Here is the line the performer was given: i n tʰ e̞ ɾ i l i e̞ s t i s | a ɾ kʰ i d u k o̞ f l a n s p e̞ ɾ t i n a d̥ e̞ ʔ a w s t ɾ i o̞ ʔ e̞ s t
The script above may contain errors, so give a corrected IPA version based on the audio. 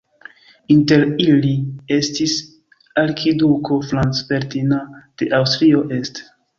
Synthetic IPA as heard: i n t e̞ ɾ i l i e̞ s t i s | a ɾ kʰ i d u k o̞ f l a n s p e̞ ɾ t i n a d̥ e̞ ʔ a w s t ɾ i o̞ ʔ e̞ s t